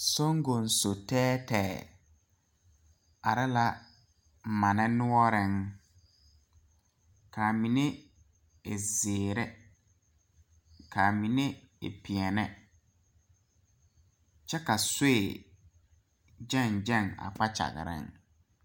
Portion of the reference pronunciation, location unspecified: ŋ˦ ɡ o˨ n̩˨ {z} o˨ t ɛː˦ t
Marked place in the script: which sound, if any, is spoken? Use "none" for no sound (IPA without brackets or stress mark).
s